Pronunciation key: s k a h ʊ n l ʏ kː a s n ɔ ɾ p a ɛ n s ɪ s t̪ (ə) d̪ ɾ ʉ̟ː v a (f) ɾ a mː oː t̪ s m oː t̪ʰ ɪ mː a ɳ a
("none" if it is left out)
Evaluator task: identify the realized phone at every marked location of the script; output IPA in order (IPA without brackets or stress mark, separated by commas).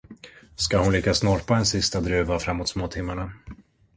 a, f